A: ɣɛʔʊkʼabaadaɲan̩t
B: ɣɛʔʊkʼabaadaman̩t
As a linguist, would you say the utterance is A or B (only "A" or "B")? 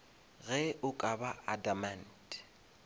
B